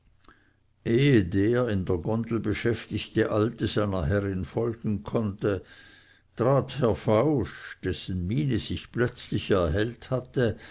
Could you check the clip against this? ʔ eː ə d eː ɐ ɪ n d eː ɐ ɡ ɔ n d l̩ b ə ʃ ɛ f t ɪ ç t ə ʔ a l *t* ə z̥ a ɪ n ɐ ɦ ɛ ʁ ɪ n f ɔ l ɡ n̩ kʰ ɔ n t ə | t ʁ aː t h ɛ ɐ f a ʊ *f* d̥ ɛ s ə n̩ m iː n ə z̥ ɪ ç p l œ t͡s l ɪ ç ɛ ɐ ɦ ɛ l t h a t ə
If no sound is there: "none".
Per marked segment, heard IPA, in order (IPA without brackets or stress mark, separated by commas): t, ʃ